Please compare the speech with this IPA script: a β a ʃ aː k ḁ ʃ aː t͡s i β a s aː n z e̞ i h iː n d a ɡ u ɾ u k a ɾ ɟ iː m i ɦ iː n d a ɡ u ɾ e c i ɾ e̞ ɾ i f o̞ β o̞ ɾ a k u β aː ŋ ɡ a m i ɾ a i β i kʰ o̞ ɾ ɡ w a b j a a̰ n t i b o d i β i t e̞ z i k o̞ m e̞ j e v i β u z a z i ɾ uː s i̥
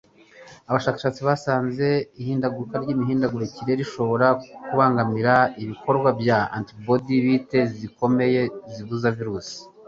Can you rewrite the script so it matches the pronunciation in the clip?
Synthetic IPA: a β a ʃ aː k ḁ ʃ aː t͡s i β a s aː n z e̞ i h iː n d a ɡ u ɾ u k a ɾ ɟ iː m i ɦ iː n d a ɡ u ɾ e c i ɾ e̞ ɾ i ʃ o̞ β o̞ ɾ a k u β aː ŋ ɡ a m i ɾ a i β i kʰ o̞ ɾ ɡ w a b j a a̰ n t i b o d i β i t e̞ z i k o̞ m e̞ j e z i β u z a v i ɾ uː s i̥